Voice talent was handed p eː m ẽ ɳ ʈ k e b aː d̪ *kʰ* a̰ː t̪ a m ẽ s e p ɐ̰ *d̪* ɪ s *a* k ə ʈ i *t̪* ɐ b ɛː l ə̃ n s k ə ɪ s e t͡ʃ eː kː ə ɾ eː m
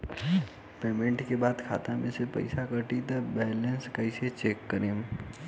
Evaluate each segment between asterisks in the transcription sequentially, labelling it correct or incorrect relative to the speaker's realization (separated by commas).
correct, incorrect, correct, correct